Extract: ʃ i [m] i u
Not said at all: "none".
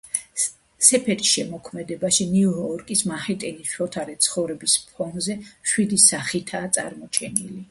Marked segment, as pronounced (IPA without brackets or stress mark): n